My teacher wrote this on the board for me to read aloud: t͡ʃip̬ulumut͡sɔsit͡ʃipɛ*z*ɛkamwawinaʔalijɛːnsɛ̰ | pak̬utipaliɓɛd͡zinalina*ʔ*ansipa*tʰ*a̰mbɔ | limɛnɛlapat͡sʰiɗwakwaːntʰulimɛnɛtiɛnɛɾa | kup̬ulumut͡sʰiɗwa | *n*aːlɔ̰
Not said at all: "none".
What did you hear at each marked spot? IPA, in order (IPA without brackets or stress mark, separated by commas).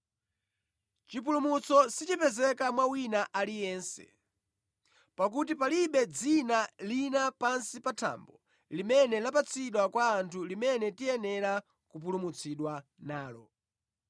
z, p, tʰ, n